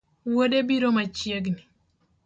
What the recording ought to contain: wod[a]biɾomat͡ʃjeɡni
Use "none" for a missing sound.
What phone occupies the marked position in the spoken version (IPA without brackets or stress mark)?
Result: e